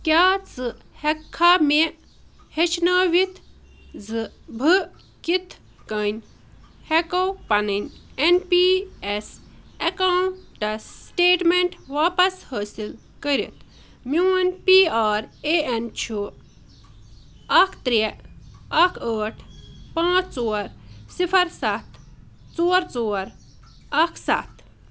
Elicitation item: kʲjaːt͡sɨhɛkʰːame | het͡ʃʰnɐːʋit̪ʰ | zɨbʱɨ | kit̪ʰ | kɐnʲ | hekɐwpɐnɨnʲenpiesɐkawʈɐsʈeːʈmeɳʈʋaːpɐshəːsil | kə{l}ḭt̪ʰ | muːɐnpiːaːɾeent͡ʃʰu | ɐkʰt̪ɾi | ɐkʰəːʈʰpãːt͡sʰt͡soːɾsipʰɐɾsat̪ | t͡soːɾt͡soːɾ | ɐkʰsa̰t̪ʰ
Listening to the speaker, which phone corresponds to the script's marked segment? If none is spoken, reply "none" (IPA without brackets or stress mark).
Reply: ɾ